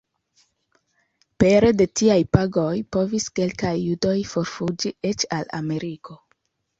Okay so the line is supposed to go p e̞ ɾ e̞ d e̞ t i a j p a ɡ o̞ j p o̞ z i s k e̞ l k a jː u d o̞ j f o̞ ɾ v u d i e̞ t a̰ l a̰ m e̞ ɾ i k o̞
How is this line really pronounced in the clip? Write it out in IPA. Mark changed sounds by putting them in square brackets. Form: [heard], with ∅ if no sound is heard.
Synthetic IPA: p e̞ ɾ e̞ d e̞ t i a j p a ɡ o̞ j p o̞ [v] i s k e̞ l k a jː u d o̞ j f o̞ ɾ [f] u [d͡ʒ] i e̞ [t͡ʃ] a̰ l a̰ m e̞ ɾ i k o̞

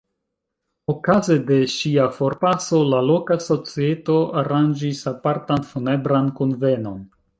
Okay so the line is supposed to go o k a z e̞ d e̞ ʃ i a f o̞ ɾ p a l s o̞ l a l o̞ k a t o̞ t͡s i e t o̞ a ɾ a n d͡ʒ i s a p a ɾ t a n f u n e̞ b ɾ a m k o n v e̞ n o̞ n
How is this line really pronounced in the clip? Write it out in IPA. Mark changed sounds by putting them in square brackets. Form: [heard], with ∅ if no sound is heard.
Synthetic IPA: o k a z e̞ d e̞ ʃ i a f o̞ ɾ p a [∅] s o̞ l a l o̞ k a [s] o̞ t͡s i e t o̞ a ɾ a n d͡ʒ i s a p a ɾ t a n f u n e̞ b ɾ a [n] k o n v e̞ n o̞ n

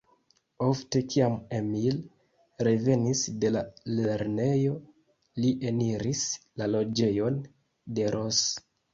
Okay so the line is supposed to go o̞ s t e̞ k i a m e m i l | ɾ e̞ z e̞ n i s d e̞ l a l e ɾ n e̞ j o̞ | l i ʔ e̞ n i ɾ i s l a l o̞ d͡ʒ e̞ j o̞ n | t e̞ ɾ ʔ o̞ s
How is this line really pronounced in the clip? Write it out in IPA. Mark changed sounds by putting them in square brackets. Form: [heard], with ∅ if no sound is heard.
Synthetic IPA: o̞ [f] t e̞ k i a m e m i l | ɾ e̞ [v] e̞ n i s d e̞ l a l e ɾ n e̞ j o̞ | l i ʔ e̞ n i ɾ i s l a l o̞ d͡ʒ e̞ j o̞ n | [d] e̞ ɾ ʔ o̞ s

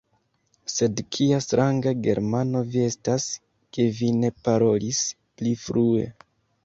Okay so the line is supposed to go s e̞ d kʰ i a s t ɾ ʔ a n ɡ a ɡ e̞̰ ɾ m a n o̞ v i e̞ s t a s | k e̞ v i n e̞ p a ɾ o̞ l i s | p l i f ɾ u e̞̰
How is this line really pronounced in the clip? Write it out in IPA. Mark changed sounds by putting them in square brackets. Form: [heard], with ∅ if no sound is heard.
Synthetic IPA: s e̞ d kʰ i a s t ɾ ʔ a [ŋ] ɡ a ɡ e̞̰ ɾ m a n o̞ v i e̞ s t a s | k e̞ v i n e̞ p a ɾ o̞ l i s | p l i f ɾ u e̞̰

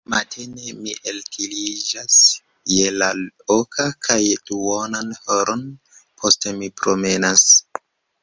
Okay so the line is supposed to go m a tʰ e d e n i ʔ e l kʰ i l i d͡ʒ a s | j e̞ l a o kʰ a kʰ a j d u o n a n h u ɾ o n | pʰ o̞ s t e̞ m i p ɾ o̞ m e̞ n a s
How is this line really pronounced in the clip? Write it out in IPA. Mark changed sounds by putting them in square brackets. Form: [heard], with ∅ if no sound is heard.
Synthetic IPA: m a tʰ e [n] e [m] i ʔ e l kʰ i l i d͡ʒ a s | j e̞ l a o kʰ a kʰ a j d u o n a n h [o] ɾ o n | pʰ o̞ s t e̞ m i p ɾ o̞ m e̞ n a s

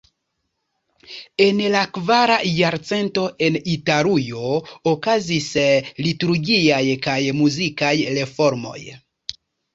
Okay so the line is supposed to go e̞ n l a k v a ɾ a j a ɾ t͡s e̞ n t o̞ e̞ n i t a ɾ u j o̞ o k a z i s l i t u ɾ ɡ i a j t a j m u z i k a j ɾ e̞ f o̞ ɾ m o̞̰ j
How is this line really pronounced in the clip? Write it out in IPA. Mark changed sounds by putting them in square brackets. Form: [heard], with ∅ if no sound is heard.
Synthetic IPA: e̞ n l a k v a ɾ a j a ɾ t͡s e̞ n t o̞ e̞ n i t a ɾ u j o̞ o k a z i s l i t u ɾ ɡ i a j [k] a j m u z i k a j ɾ e̞ f o̞ ɾ m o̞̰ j

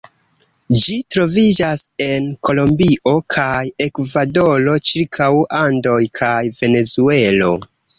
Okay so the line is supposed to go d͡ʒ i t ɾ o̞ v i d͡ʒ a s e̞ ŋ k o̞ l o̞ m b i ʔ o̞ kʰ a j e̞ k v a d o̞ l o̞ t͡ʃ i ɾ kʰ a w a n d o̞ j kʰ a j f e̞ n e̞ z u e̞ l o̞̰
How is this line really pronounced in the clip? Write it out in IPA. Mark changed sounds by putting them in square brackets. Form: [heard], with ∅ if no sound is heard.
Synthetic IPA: d͡ʒ i t ɾ o̞ v i d͡ʒ a s e̞ [n] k o̞ l o̞ m b i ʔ o̞ kʰ a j e̞ k v a d o̞ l o̞ t͡ʃ i ɾ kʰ a w a n d o̞ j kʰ a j [v] e̞ n e̞ z u e̞ l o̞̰

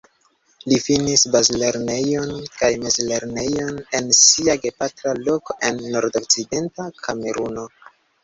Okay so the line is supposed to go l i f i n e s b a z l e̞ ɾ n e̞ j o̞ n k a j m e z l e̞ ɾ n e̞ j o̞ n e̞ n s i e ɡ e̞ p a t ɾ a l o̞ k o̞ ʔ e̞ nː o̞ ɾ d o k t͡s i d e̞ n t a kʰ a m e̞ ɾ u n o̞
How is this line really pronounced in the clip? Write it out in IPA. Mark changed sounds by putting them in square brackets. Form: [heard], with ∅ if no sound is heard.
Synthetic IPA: l i f i n [i] s b a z l e̞ ɾ n e̞ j o̞ n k a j m e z l e̞ ɾ n e̞ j o̞ n e̞ n s i [a] ɡ e̞ p a t ɾ a l o̞ k o̞ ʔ e̞ nː o̞ ɾ d o k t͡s i d e̞ n t a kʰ a m e̞ ɾ u n o̞

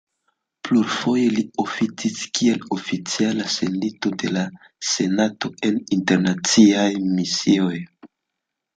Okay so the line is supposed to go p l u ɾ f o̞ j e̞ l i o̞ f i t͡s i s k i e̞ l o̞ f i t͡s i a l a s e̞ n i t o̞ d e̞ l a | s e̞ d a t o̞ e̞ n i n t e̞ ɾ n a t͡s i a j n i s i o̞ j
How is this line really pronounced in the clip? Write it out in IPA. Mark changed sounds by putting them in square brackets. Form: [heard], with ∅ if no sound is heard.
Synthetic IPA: p l u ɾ f o̞ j e̞ l i o̞ f i t͡s i s k i e̞ l o̞ f i t͡s i a l a s e̞ n i t o̞ d e̞ l a | s e̞ [n] a t o̞ e̞ n i n t e̞ ɾ n a t͡s i a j [m] i s i o̞ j

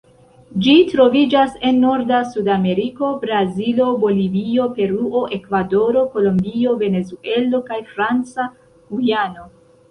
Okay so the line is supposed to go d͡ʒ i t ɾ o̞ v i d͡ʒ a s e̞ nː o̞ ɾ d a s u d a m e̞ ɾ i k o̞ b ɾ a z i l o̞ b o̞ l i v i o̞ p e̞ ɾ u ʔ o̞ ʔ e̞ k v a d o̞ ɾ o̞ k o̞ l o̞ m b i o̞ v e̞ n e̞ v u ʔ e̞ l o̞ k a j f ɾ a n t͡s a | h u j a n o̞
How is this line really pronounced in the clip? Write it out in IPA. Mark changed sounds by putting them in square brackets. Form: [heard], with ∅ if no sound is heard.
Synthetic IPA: d͡ʒ i t ɾ o̞ v i d͡ʒ a s e̞ nː o̞ ɾ d a s u d a m e̞ ɾ i k o̞ b ɾ a z i l o̞ b o̞ l i v i o̞ p e̞ ɾ u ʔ o̞ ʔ e̞ k v a d o̞ ɾ o̞ k o̞ l o̞ m b i o̞ v e̞ n e̞ [z] u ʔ e̞ l o̞ k a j f ɾ a n t͡s a | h u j a n o̞

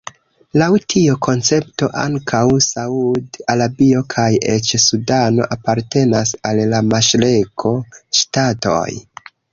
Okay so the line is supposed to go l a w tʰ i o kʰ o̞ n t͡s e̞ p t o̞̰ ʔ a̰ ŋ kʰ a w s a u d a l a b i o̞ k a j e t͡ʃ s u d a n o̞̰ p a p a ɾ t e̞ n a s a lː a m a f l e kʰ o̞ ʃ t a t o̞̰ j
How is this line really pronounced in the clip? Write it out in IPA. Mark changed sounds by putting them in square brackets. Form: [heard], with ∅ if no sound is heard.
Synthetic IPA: l a w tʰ i o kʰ o̞ n t͡s e̞ p t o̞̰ ʔ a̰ ŋ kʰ a w s a u d a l a b i o̞ [kʰ] a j e t͡ʃ s u d a n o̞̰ [ʔ] a p a ɾ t e̞ n a s a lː a m a [ʃ] l e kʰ o̞ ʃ t a t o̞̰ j

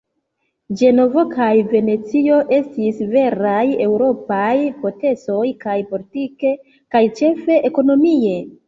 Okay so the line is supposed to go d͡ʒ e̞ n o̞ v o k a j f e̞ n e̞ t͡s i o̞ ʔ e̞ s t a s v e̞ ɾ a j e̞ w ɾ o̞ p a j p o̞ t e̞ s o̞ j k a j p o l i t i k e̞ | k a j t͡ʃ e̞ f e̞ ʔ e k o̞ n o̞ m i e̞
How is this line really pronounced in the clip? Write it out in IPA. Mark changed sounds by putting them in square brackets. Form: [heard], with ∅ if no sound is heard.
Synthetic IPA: d͡ʒ e̞ n o̞ v o k a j [v] e̞ n e̞ t͡s i o̞ ʔ e̞ s t [i] s v e̞ ɾ a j e̞ w ɾ o̞ p a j p o̞ t e̞ s o̞ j k a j p o l i t i k e̞ | k a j t͡ʃ e̞ f e̞ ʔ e k o̞ n o̞ m i e̞

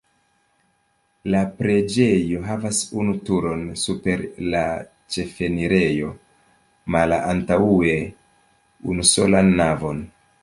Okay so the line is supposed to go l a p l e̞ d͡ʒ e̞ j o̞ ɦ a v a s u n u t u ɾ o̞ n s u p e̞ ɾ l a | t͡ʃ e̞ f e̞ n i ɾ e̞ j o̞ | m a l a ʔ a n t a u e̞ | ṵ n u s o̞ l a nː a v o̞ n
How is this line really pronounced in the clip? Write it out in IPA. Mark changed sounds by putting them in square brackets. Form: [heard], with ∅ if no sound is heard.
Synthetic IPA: l a p [ɾ] e̞ d͡ʒ e̞ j o̞ ɦ a v a s u n u t u ɾ o̞ n s u p e̞ ɾ l a | t͡ʃ e̞ f e̞ n i ɾ e̞ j o̞ | m a l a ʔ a n t a u e̞ | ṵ n u s o̞ l a nː a v o̞ n

